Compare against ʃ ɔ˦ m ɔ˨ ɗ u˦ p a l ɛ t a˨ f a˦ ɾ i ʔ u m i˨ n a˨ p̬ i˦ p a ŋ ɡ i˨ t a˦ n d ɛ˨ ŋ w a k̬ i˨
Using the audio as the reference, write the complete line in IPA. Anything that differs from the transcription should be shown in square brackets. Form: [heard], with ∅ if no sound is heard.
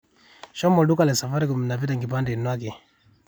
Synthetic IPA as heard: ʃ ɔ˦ m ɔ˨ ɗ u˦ [k] a l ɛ [s] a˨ f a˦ ɾ i [k] u m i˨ n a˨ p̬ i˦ [t] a ŋ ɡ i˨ [p] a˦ n d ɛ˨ [n] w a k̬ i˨